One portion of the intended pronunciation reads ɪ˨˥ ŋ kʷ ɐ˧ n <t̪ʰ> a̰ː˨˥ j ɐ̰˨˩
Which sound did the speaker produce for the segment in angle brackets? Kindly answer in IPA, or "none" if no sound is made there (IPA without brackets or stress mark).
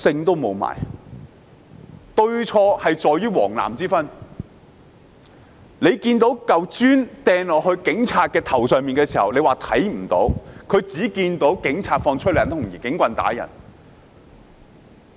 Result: t̪